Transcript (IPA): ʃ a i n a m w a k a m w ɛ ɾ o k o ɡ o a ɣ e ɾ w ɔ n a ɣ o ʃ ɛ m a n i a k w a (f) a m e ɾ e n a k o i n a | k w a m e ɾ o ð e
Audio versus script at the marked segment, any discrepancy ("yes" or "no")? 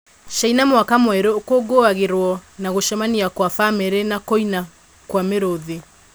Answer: no